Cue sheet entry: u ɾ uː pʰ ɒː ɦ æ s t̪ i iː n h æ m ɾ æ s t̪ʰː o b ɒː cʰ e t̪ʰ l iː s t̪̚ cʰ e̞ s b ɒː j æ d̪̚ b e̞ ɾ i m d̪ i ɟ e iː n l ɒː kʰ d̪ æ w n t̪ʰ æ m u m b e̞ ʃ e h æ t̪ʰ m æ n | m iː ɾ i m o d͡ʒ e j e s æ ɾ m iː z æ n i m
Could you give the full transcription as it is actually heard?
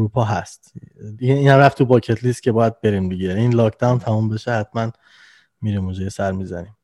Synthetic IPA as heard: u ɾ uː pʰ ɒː ɦ æ s t̪ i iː n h æ m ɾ æ f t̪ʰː u b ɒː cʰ e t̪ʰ l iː s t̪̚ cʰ e̞ b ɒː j æ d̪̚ b e̞ ɾ i m d̪ i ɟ e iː n l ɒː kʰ d̪ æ w n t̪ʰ æ m u m b e̞ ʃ e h æ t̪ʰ m æ n | m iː ɾ i m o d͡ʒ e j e s æ ɾ m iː z æ n i m